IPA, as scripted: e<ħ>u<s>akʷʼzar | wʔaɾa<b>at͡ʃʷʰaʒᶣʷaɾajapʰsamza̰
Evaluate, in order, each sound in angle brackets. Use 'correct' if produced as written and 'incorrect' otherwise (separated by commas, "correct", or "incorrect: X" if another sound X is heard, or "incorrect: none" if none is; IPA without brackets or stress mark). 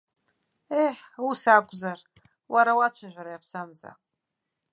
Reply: correct, correct, incorrect: w